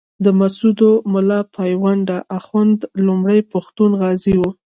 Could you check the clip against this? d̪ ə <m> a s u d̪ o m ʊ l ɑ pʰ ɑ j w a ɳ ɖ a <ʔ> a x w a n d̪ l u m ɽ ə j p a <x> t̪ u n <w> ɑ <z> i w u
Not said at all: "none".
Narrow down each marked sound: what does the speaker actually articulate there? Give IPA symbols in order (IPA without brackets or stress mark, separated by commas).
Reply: m, ʔ, x, ɣ, z